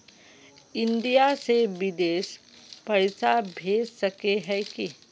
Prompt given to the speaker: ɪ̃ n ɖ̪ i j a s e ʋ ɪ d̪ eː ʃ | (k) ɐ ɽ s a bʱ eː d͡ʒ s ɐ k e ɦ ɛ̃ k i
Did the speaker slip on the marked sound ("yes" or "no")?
yes